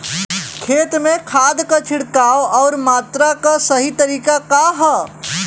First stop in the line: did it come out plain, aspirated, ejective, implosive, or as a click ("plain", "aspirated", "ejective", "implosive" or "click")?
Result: aspirated